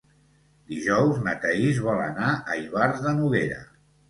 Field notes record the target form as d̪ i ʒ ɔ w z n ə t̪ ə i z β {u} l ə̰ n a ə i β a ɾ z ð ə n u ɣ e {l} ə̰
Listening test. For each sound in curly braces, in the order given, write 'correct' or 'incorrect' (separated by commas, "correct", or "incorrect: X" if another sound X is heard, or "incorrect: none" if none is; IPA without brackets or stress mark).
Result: incorrect: ɔ, incorrect: ɾ